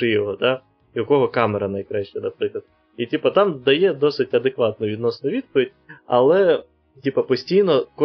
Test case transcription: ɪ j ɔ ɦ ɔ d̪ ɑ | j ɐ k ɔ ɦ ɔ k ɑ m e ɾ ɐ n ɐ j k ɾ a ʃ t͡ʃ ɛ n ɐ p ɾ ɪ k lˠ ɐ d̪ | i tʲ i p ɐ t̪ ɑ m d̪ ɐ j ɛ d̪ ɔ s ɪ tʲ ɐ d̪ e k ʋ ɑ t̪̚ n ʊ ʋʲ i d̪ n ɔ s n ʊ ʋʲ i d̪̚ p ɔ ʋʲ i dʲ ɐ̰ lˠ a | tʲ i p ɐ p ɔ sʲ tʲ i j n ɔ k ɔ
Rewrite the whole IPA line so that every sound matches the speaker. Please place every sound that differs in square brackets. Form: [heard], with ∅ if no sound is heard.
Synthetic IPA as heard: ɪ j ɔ ɦ ɔ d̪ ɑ | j ɐ k ɔ ɦ ɔ k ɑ m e ɾ ɐ n ɐ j k ɾ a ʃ t͡ʃ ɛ n ɐ p ɾ ɪ k lˠ ɐ d̪ | i tʲ i p ɐ t̪ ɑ m d̪ ɐ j ɛ d̪ ɔ s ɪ tʲ ɐ d̪ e k ʋ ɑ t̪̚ n ʊ ʋʲ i d̪ n ɔ s n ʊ ʋʲ i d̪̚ p ɔ ʋʲ i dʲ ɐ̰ lˠ [ɛ] | tʲ i p ɐ p ɔ sʲ tʲ i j n ɔ k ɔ